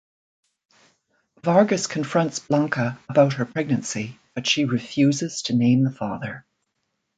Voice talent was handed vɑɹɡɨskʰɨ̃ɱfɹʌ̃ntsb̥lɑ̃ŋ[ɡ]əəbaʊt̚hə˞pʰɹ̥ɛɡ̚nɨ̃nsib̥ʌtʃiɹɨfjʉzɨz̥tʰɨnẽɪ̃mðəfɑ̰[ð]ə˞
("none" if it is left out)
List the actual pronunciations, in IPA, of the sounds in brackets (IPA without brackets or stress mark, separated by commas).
k, ð